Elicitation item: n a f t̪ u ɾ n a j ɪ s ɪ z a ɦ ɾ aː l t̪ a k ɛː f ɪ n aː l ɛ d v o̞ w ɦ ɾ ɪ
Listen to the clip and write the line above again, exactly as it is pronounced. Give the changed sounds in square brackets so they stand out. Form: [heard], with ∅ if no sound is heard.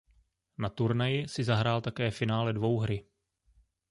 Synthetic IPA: n a [∅] t̪ u ɾ n a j ɪ s ɪ z a ɦ ɾ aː l t̪ a k ɛː f ɪ n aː l ɛ d v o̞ w ɦ ɾ ɪ